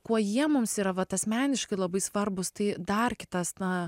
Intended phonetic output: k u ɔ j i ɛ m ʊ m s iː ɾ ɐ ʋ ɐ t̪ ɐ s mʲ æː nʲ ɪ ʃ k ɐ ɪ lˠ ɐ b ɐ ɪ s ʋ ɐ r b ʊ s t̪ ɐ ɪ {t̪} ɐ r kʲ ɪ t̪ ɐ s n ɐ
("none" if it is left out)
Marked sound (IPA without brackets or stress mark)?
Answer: d̪